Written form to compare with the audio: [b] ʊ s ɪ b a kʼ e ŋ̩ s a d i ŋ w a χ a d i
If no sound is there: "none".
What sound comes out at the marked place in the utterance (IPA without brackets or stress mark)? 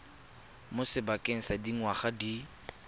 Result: m